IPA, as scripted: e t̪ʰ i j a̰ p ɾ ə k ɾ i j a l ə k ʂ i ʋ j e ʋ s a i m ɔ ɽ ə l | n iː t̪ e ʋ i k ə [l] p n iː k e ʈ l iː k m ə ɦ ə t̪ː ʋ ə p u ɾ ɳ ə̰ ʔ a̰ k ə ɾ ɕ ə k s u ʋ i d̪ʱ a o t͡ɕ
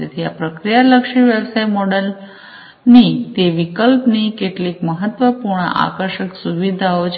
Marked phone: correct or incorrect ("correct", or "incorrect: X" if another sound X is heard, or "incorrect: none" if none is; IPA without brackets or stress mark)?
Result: correct